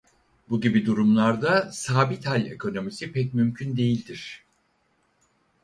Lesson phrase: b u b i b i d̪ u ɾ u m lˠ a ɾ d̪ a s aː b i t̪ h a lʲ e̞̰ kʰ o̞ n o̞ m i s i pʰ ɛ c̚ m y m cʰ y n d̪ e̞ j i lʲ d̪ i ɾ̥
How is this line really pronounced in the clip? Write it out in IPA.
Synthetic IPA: b u ɟ i b i d̪ u ɾ u m lˠ a ɾ d̪ a s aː b i t̪ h a lʲ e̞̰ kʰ o̞ n o̞ m i s i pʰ ɛ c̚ m y m cʰ y n d̪ e̞ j i lʲ d̪ i ɾ̥